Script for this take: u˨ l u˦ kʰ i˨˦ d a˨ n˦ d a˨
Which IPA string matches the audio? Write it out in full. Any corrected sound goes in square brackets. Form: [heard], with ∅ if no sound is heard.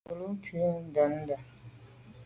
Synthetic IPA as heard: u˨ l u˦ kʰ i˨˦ d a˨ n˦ d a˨